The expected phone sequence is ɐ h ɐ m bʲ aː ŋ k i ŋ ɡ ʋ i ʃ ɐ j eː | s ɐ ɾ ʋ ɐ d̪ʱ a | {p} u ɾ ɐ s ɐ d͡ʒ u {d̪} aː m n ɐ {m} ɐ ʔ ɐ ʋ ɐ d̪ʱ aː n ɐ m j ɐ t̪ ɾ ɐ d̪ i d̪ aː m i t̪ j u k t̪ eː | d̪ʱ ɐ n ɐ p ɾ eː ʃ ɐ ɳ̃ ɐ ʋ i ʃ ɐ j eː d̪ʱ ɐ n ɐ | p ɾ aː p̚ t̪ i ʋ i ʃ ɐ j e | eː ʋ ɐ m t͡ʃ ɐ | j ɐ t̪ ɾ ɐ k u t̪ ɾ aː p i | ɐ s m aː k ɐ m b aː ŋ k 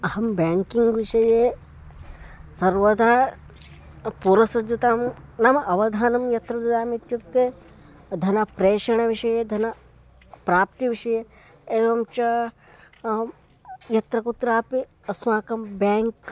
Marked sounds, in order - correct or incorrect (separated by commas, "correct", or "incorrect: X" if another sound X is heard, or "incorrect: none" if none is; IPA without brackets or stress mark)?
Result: correct, incorrect: t̪, correct